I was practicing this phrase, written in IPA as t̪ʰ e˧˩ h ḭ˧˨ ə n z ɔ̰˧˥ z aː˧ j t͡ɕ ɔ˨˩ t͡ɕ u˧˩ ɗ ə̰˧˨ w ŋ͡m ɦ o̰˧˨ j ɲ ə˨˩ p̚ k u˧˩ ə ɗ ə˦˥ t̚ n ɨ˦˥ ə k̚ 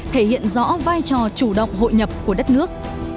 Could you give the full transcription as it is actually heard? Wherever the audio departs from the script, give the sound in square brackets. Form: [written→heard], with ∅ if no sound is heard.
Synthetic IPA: t̪ʰ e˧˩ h ḭ˧˨ ə n z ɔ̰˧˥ [z→v] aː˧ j t͡ɕ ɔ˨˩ t͡ɕ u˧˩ ɗ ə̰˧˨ w ŋ͡m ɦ o̰˧˨ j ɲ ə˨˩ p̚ k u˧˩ ə ɗ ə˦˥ t̚ n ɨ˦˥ ə k̚